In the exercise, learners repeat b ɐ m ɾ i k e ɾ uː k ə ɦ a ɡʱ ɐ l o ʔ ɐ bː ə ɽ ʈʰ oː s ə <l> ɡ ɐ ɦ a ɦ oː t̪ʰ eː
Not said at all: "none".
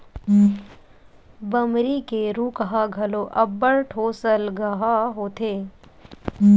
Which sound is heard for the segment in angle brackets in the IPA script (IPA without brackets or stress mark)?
l